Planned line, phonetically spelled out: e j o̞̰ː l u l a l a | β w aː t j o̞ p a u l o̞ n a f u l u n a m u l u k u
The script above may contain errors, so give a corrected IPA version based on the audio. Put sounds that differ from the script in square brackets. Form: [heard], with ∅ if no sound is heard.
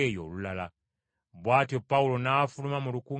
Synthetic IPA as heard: e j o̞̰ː l u l a l a | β w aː t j o̞ p a u l o̞ n a f u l u [m] a m u l u k u